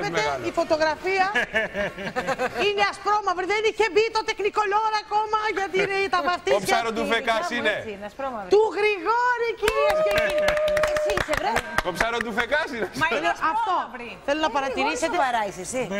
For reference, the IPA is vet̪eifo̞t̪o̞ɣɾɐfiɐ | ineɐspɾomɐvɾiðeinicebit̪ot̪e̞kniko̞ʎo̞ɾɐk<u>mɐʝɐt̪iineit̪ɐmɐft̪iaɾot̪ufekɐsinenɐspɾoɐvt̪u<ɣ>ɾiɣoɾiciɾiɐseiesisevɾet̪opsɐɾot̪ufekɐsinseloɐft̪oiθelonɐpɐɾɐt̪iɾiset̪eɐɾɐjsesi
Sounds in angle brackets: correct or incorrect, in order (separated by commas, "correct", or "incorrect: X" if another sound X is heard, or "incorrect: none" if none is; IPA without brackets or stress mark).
incorrect: o, correct